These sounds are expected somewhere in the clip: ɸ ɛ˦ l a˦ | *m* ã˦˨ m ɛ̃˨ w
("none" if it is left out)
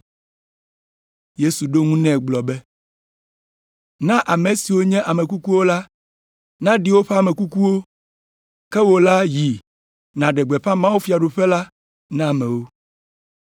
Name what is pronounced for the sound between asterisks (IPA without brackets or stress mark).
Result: n